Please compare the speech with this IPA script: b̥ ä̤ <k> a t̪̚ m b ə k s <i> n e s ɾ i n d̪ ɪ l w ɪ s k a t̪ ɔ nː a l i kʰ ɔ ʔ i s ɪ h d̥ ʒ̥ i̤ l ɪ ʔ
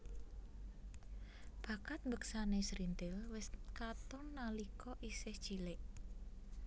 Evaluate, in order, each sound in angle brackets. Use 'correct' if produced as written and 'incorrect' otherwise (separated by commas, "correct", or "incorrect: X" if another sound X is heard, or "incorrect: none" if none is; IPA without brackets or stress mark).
correct, incorrect: a